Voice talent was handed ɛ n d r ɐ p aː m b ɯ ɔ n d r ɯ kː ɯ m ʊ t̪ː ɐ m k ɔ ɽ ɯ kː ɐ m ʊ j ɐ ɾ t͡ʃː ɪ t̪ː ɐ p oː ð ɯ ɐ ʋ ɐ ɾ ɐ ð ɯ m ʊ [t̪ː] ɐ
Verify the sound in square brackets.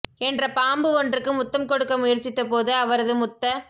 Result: correct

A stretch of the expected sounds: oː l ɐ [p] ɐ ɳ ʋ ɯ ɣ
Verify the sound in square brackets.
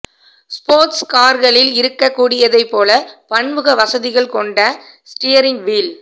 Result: correct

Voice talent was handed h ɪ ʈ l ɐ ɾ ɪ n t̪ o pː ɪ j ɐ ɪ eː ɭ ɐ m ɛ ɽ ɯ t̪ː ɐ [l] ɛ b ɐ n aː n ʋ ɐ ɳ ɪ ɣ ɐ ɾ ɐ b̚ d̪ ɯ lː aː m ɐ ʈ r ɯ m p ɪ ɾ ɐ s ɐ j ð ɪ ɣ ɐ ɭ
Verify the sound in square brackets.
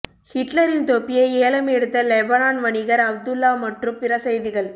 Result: correct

